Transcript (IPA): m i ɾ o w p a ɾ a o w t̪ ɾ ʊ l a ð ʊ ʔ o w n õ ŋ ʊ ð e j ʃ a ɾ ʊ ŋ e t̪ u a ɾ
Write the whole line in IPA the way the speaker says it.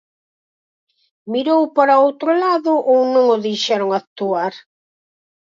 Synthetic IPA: m i ɾ o w p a ɾ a o w t̪ ɾ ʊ l a ð ʊ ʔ o w n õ ŋ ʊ ð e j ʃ ɛ ɾ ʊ ŋ a t̪ u a ɾ